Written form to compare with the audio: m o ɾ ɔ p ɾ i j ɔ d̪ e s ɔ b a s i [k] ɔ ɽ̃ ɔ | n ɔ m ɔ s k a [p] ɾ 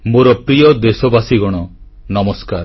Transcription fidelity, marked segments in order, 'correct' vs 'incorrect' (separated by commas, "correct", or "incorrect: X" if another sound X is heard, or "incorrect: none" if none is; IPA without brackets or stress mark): incorrect: ɡ, incorrect: none